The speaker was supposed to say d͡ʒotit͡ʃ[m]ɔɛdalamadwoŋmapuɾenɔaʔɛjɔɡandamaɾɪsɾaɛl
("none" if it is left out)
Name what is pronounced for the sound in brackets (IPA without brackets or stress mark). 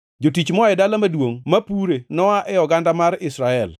m